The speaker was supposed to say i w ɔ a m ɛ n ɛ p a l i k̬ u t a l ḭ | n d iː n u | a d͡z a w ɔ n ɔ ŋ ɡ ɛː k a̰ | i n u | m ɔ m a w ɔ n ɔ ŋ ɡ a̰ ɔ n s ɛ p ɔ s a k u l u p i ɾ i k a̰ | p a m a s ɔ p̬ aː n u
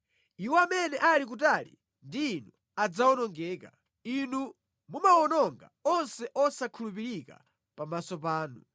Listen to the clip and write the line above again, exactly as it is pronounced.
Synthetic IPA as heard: i w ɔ a m ɛ n ɛ ʔ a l i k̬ u t a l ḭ | n d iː n u | a d͡z a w ɔ n ɔ ŋ ɡ ɛː k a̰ | i n u | m u m a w ɔ n ɔ ŋ ɡ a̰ ɔ n s ɛ ʔ ɔ s a kʰ u l u p i ɾ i k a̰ | p a m a s ɔ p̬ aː n u